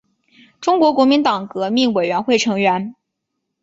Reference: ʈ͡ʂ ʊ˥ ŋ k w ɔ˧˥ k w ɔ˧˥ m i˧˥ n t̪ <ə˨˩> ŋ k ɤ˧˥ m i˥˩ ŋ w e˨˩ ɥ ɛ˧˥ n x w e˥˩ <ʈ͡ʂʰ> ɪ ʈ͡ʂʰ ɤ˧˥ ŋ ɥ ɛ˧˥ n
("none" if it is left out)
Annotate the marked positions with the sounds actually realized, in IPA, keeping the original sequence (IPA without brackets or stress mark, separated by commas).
ɑ˨˩, none